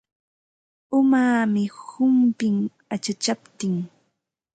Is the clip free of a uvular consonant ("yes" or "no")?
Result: yes